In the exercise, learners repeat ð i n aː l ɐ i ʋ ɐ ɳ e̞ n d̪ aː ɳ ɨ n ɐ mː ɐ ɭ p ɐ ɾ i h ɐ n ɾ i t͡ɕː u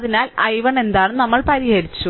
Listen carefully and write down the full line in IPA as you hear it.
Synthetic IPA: ð i n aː l ɐ j ʋ ɐ ɳ e̞ n d̪ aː ɳ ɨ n ɐ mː ɐ ɭ p ɐ ɾ i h ɐ ɾ i t͡ɕː u